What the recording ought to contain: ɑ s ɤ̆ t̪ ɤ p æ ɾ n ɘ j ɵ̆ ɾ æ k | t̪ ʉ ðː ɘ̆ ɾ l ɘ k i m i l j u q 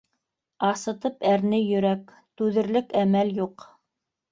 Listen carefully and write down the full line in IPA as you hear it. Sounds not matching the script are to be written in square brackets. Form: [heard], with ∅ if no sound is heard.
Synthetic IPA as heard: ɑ s ɤ̆ t̪ ɤ p æ ɾ n ɘ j ɵ̆ ɾ æ k | t̪ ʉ [ð] ɘ̆ ɾ l ɘ k [æ] m [æ] l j u q